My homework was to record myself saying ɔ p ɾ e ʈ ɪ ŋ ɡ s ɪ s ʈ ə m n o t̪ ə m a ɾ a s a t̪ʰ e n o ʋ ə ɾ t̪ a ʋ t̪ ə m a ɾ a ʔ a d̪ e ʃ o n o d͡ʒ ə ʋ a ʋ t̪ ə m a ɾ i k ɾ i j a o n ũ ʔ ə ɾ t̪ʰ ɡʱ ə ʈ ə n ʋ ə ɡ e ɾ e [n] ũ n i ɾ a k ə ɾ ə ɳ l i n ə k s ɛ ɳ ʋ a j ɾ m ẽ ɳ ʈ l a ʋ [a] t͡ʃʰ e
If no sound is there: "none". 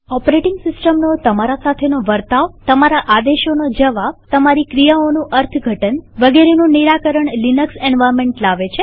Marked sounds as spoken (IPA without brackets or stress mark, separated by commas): n, e